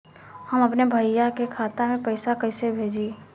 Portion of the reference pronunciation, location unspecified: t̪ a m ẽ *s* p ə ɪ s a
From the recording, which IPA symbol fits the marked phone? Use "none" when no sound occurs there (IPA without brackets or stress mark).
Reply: none